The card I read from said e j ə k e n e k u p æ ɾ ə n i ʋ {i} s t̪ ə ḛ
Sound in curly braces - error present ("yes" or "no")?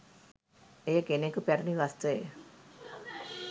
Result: yes